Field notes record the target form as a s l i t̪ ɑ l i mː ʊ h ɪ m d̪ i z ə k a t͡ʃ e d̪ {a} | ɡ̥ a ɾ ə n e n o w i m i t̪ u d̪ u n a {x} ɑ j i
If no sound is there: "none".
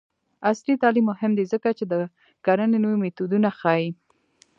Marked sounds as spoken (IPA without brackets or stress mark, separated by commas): ə, x